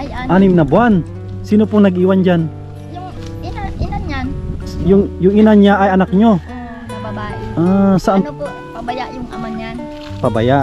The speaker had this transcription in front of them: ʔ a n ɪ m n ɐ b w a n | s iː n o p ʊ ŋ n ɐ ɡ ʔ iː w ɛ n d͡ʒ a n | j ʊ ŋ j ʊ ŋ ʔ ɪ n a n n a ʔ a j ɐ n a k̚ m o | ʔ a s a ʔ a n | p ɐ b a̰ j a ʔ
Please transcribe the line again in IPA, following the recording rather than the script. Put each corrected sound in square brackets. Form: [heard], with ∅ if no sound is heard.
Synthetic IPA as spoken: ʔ a n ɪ m n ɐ b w a n | s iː n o p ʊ ŋ n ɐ ɡ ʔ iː w [a] n d͡ʒ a n | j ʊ ŋ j ʊ ŋ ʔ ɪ n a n [ɲ] a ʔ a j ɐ n a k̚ [ɲ] o | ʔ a s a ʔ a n | p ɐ b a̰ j a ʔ